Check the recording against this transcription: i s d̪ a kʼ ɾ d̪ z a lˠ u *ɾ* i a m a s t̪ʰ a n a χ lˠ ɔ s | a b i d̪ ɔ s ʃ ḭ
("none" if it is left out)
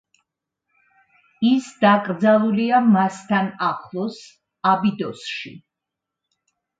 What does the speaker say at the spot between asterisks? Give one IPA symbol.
l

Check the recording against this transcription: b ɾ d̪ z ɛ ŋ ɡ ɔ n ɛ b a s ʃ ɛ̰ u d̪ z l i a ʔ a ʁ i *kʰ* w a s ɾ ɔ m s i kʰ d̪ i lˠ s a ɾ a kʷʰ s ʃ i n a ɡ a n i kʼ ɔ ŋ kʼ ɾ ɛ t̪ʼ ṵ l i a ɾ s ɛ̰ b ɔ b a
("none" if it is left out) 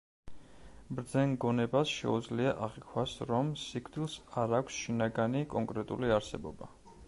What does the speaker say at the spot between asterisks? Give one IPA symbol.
kʰ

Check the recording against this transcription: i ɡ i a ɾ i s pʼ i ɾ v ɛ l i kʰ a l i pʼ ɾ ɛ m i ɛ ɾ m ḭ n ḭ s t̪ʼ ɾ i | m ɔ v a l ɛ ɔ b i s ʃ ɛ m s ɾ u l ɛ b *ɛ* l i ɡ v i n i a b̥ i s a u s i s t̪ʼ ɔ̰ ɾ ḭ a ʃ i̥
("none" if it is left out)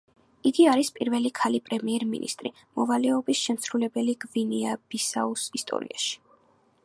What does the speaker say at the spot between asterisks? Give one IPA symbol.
ɛ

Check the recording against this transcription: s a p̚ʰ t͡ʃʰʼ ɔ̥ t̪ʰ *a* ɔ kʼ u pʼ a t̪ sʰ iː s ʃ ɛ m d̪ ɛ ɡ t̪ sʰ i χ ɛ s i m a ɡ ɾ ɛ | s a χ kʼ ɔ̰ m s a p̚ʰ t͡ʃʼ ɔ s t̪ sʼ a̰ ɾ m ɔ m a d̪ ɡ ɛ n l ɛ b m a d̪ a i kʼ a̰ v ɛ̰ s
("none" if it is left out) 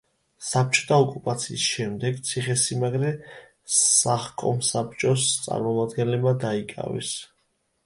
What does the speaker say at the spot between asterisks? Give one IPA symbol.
a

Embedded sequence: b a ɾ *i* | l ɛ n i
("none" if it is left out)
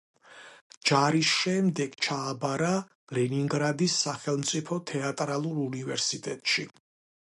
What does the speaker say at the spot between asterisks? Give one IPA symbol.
a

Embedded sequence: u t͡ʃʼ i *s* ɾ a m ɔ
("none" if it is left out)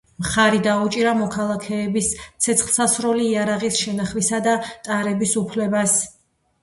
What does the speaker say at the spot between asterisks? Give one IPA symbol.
none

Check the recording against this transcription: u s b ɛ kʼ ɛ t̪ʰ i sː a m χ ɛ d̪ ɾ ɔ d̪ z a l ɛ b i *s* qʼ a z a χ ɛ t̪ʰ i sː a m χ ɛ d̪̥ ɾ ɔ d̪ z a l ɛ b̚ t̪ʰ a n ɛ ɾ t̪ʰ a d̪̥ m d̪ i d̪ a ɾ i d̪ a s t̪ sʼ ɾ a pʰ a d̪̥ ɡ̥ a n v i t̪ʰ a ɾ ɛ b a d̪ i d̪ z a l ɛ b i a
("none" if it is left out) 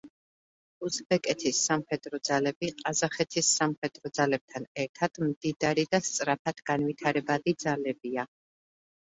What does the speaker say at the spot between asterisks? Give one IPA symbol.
none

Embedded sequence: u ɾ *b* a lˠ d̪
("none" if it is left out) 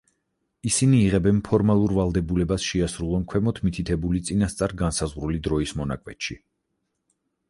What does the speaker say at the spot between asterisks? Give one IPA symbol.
v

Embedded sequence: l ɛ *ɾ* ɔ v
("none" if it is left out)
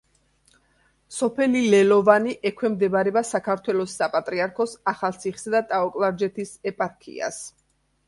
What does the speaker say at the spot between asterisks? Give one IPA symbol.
l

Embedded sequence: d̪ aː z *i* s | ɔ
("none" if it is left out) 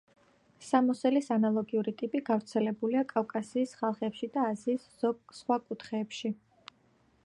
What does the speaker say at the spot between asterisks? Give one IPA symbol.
iː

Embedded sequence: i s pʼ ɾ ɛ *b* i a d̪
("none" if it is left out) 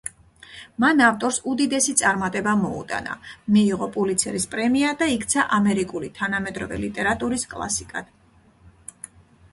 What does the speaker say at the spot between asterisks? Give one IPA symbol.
m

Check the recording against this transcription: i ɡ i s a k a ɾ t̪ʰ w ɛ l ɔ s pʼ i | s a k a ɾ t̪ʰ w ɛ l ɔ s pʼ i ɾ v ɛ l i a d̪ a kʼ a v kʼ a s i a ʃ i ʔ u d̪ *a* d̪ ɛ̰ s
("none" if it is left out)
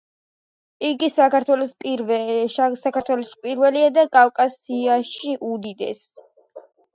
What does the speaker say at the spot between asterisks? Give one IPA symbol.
i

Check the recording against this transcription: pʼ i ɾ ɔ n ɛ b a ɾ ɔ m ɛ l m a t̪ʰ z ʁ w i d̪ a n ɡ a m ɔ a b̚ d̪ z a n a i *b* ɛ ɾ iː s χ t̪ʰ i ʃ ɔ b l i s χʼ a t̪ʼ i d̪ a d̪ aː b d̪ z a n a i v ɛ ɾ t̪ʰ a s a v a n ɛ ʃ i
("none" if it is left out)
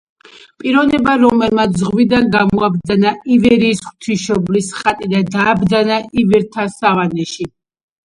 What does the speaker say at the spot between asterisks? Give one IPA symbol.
v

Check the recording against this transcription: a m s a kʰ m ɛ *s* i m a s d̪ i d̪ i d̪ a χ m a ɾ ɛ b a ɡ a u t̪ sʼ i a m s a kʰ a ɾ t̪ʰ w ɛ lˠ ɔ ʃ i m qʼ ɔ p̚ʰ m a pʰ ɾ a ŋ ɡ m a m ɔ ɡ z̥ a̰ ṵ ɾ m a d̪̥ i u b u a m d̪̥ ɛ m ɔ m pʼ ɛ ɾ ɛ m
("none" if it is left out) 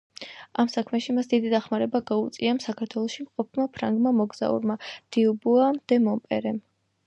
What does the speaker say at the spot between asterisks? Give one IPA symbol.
ʃ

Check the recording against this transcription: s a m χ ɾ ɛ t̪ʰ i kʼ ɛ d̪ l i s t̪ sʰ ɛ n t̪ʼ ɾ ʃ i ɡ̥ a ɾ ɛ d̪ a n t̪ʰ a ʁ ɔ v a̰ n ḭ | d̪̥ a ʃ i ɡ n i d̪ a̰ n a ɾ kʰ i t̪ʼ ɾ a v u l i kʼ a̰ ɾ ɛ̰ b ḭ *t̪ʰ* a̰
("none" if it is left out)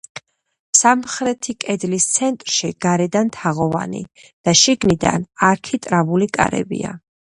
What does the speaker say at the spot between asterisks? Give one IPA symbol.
none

